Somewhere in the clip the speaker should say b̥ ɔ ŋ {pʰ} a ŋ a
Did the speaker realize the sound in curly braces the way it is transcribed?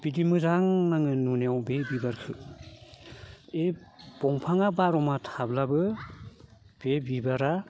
yes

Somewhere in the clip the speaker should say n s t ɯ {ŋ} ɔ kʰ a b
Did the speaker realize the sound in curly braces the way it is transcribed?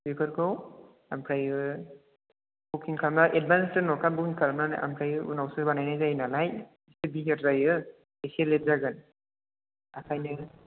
no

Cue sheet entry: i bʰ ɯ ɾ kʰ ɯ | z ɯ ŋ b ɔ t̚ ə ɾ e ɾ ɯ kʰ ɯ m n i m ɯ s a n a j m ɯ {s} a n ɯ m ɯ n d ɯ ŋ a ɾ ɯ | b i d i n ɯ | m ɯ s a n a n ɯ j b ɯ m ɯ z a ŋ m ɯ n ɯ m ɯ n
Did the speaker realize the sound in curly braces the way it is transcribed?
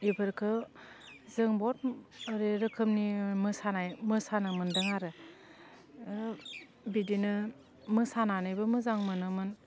yes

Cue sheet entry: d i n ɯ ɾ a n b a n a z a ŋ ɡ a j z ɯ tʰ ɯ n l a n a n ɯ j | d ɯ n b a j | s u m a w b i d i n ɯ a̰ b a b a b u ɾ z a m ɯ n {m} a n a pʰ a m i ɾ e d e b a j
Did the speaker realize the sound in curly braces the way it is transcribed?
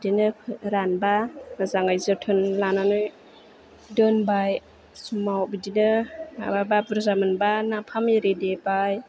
no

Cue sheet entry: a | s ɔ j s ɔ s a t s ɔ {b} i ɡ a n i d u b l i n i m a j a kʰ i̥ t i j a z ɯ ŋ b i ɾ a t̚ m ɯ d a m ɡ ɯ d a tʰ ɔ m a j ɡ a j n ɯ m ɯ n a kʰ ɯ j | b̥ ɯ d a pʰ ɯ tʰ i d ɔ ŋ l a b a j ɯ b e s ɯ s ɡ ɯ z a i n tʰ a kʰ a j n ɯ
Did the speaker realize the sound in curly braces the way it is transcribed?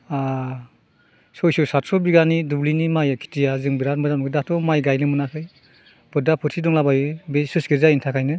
yes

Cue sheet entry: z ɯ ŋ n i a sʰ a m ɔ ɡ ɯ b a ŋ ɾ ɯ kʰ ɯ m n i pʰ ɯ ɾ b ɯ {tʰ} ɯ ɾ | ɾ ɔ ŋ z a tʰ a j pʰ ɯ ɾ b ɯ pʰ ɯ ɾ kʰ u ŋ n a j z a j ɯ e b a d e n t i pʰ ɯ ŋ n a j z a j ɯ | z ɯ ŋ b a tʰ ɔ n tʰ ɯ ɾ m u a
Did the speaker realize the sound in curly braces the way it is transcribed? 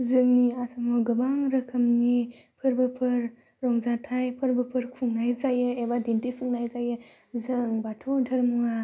no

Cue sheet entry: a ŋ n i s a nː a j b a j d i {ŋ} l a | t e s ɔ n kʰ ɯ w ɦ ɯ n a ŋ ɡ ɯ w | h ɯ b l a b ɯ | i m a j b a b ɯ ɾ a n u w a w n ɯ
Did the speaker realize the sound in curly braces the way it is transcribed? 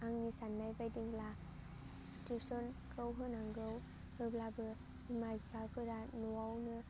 yes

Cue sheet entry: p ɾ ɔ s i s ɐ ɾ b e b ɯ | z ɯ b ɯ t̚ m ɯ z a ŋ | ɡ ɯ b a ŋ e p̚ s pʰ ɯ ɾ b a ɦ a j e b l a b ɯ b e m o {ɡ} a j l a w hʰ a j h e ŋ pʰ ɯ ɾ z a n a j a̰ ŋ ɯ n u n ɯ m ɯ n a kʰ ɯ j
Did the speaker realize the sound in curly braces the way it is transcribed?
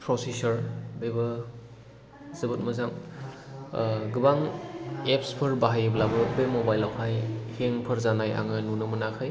no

